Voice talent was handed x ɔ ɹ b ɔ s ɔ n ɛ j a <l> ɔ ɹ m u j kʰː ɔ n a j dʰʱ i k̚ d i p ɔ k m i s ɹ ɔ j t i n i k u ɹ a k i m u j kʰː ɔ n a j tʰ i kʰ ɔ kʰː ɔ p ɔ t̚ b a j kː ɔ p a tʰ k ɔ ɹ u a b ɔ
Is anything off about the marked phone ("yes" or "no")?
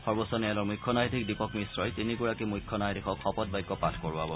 no